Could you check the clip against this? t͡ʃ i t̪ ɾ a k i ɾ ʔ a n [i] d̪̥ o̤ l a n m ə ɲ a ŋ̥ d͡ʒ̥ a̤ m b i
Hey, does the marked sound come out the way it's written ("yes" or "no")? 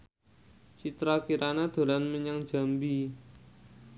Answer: no